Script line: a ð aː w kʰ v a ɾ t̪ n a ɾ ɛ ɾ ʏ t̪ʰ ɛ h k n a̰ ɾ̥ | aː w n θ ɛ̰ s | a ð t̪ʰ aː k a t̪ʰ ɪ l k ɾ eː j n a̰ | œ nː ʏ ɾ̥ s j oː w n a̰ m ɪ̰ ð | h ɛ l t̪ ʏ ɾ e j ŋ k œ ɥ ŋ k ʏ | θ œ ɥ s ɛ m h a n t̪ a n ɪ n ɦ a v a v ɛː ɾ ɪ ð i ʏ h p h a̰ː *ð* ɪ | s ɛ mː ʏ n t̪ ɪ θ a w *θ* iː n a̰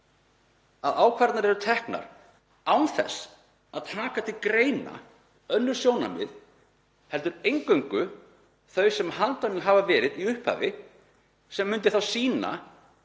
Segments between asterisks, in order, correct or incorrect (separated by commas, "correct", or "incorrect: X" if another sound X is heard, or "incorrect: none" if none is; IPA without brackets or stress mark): incorrect: v, incorrect: s